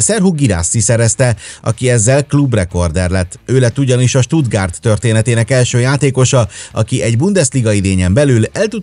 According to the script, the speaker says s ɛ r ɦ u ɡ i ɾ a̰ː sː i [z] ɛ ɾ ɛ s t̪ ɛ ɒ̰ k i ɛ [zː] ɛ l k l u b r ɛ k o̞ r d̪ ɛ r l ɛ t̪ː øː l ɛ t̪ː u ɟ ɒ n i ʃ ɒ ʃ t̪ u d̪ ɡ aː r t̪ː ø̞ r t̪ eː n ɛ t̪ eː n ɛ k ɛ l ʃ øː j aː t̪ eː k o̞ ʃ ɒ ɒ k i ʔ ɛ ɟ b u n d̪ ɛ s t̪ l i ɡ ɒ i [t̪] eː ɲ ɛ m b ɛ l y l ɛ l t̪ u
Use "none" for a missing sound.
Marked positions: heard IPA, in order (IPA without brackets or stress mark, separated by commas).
s, zː, d̪